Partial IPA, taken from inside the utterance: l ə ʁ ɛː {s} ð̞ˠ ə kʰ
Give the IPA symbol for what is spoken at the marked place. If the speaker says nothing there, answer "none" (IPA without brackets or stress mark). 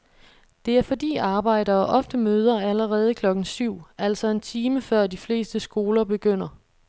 none